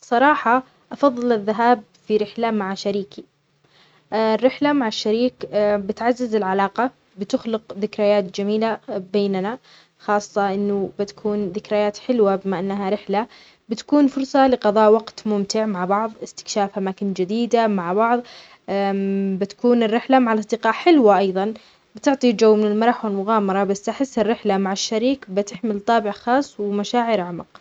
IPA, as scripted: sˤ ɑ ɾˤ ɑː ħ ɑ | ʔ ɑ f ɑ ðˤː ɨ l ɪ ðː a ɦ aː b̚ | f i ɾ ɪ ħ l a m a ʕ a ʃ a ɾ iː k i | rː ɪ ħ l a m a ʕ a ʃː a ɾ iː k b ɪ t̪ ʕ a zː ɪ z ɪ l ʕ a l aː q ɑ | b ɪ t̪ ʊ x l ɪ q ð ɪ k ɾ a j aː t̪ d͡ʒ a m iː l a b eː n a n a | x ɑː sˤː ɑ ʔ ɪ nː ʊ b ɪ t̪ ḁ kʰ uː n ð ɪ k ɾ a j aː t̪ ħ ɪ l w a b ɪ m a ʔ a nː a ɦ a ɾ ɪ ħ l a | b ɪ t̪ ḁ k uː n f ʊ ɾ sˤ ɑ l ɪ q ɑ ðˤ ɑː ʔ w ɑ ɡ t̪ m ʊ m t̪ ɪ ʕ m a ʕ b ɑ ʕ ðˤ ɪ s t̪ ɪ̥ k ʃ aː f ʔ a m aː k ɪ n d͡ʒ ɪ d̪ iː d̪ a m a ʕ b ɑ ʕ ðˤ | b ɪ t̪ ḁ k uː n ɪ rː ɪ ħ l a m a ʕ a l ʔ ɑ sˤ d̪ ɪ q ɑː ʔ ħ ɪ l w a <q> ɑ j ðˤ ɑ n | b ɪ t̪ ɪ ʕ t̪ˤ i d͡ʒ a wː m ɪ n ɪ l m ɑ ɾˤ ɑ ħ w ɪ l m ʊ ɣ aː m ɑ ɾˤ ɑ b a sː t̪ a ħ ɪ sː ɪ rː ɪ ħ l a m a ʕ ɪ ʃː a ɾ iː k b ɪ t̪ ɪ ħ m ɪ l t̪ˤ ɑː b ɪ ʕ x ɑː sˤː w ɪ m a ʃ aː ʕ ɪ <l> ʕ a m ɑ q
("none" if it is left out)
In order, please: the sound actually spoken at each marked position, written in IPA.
ʔ, ɾ

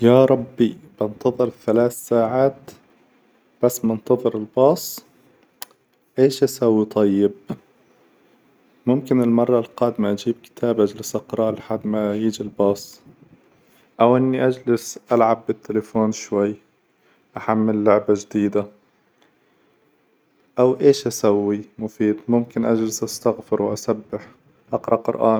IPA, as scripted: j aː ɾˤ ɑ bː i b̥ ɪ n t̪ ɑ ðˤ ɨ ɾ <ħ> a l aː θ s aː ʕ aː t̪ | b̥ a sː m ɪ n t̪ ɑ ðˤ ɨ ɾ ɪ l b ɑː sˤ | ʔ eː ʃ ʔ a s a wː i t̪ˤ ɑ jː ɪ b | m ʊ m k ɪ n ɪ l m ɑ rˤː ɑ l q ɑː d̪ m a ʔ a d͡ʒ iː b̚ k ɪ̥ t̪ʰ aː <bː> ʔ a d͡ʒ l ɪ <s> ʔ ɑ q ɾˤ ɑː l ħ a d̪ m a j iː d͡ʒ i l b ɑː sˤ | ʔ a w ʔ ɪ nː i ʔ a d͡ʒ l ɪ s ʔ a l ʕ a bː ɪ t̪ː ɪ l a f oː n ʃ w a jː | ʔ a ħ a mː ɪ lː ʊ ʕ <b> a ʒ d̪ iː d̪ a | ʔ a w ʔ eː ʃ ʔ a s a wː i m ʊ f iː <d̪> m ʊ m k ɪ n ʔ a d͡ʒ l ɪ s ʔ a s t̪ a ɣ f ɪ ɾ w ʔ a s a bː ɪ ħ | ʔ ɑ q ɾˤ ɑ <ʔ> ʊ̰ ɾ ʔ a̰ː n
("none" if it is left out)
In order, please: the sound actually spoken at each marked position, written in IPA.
θ, b, s, b, d̪, q

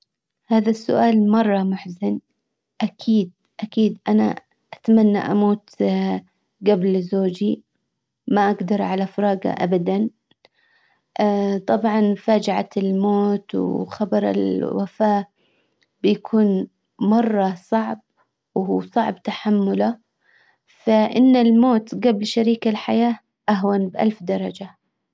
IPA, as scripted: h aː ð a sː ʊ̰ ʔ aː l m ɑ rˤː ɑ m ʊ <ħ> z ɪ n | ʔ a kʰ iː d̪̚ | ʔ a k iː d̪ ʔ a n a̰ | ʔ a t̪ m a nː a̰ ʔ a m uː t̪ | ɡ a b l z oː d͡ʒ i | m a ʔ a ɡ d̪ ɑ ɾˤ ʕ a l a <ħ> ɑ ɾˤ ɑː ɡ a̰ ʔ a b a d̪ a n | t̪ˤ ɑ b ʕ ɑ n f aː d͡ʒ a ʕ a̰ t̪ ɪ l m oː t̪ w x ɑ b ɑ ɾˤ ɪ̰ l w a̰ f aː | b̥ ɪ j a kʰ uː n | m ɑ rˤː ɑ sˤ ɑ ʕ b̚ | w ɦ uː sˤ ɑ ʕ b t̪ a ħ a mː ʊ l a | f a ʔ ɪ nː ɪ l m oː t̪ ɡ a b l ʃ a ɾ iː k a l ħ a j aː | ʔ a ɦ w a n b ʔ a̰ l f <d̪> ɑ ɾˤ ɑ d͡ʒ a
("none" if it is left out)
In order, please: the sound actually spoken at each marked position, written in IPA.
ħ, f, d̪

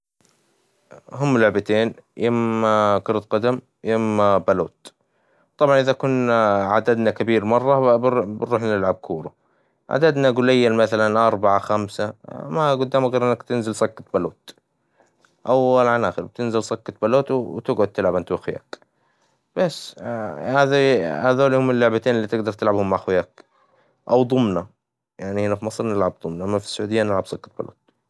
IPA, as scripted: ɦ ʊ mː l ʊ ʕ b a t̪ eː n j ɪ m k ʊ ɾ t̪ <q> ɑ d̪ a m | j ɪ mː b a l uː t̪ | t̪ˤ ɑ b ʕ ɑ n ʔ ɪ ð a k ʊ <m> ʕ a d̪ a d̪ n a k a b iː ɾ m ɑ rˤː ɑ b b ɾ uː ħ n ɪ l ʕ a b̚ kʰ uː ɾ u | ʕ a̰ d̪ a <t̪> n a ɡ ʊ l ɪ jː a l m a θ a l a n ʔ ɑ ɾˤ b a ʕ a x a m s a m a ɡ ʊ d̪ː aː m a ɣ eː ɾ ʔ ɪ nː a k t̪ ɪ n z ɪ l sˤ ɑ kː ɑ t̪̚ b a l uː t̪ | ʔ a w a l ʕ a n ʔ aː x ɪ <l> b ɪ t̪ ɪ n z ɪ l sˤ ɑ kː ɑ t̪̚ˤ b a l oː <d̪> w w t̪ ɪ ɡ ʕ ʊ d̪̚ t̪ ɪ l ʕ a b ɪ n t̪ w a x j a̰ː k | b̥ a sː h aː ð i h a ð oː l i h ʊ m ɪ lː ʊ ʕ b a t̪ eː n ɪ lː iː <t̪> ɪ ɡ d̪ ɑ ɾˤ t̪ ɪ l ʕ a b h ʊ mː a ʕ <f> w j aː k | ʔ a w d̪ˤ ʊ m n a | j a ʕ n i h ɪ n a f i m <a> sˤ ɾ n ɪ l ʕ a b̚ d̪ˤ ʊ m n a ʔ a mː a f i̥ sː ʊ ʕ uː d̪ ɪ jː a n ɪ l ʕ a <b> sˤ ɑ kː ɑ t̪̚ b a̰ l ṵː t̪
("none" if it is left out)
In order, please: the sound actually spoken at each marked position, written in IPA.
q, n, d̪, ɾ, t̪, t̪, x, ɑ, b

